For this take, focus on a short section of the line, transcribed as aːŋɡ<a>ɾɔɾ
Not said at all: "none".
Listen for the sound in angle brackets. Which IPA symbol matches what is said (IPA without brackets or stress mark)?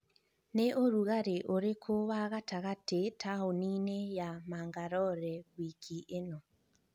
a